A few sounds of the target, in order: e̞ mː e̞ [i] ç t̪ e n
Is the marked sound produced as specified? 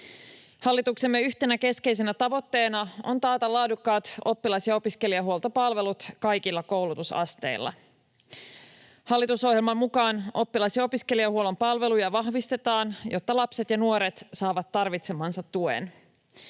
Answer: no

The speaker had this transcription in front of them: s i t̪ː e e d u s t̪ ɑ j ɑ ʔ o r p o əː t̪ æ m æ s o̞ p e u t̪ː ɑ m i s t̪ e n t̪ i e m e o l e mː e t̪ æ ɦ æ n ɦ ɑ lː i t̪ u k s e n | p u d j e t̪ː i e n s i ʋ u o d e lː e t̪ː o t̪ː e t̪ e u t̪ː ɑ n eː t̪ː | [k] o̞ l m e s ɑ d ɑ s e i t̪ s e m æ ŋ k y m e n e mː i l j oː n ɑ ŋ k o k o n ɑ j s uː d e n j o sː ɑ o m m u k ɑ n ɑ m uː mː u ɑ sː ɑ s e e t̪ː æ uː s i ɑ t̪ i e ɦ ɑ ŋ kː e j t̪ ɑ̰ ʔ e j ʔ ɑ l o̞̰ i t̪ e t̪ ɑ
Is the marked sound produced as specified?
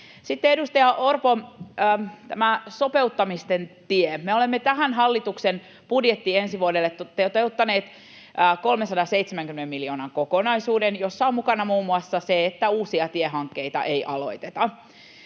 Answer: yes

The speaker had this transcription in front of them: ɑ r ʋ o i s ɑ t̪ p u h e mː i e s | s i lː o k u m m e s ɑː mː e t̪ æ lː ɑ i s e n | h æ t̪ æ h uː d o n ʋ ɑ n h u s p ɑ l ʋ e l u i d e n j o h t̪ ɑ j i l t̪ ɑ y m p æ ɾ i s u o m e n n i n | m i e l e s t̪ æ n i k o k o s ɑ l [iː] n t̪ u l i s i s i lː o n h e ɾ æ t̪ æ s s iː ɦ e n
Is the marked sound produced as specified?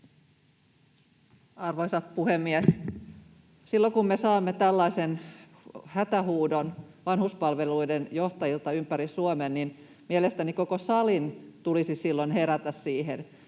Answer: no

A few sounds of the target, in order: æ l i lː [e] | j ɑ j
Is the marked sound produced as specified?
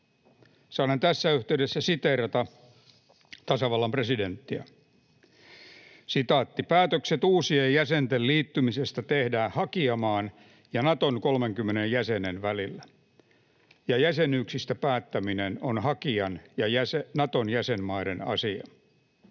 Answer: no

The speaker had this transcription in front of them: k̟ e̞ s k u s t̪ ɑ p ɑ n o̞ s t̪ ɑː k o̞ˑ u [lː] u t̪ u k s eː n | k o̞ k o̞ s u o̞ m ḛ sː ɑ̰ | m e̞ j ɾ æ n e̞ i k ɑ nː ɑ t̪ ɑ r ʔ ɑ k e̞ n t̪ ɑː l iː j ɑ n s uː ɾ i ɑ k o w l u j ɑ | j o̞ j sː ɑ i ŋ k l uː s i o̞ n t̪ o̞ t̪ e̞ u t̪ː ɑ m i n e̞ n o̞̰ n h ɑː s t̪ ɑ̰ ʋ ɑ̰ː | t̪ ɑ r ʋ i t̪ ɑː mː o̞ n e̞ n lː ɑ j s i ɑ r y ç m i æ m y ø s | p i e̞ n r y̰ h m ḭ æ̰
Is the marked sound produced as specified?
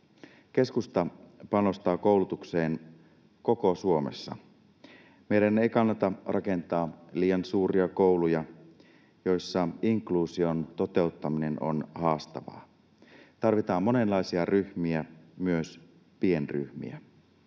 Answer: no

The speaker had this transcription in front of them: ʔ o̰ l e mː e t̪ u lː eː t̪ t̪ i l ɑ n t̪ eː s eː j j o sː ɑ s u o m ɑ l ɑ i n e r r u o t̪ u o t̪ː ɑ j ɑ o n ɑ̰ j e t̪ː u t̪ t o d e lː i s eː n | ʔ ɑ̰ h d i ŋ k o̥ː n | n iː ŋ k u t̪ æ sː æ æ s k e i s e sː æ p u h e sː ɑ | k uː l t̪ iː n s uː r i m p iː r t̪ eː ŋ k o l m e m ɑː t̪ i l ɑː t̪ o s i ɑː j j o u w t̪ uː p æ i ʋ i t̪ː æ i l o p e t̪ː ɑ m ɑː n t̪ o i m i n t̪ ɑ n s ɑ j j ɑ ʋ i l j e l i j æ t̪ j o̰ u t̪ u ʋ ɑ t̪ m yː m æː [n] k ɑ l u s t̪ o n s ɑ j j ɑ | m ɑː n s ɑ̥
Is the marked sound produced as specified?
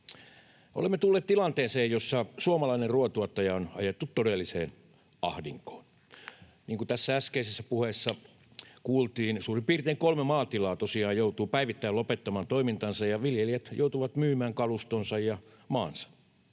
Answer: no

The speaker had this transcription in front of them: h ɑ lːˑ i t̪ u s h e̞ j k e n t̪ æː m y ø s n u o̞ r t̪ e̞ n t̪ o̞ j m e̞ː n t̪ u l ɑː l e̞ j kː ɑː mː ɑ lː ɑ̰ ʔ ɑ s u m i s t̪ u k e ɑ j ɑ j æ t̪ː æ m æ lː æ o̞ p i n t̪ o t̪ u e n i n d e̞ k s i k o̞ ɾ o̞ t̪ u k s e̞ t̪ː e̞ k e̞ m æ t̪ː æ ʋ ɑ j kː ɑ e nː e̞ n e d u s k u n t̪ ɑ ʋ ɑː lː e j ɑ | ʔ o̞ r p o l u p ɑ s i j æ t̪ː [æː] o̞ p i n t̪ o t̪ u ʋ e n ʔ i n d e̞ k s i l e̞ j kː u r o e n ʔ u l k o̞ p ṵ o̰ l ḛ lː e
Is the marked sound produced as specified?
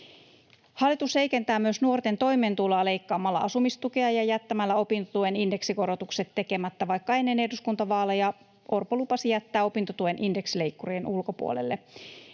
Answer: yes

